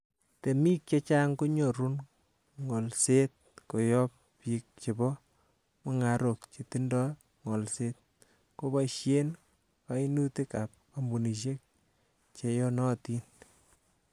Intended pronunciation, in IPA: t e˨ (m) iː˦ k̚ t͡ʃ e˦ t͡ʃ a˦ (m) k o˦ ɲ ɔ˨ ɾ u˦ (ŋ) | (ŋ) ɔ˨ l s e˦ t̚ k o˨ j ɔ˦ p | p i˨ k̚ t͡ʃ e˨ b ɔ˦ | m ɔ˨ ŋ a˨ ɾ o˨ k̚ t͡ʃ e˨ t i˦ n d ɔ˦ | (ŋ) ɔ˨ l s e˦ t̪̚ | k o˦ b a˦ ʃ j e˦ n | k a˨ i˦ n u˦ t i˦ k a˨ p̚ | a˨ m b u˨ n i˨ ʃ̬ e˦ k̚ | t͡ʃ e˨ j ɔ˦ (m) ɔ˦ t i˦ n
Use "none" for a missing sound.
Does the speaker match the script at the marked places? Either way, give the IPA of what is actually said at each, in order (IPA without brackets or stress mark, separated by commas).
m, ŋ, n, ŋ, ŋ, n